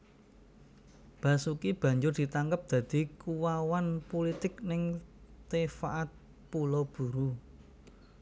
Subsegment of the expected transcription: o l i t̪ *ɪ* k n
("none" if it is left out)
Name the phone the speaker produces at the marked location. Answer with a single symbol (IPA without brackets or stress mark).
ɪ